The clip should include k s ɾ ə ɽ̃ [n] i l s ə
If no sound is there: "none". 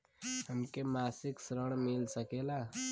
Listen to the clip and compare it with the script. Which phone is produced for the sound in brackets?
m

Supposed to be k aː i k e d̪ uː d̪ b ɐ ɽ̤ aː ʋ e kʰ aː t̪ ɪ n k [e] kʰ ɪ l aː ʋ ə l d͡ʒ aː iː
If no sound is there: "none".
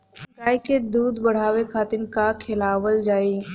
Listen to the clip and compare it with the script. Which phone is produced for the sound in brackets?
a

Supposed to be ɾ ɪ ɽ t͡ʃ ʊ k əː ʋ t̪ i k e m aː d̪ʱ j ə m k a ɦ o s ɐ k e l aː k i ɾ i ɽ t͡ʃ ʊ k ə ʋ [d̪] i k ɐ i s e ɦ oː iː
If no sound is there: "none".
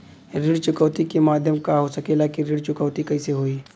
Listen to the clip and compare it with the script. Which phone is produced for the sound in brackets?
t̪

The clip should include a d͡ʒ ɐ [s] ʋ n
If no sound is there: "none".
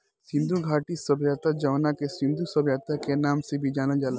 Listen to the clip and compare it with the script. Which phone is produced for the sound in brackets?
none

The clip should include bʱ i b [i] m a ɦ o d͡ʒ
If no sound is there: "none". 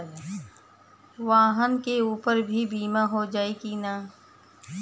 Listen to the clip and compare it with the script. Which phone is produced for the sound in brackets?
iː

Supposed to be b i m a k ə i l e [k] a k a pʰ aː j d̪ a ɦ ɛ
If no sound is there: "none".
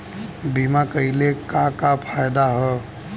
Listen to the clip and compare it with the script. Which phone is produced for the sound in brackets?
k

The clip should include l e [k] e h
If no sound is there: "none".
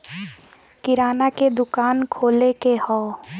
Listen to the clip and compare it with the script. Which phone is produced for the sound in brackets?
k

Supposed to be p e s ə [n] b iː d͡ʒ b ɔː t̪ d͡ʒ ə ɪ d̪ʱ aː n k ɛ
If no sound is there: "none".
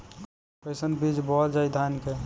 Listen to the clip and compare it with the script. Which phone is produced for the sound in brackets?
n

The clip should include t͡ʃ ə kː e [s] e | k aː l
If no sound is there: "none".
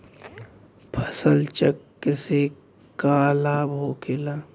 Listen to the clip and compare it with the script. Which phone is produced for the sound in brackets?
s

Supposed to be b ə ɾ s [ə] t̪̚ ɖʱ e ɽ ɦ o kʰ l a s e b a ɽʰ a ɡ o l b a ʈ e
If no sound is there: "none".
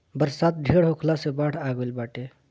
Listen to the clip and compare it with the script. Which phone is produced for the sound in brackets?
a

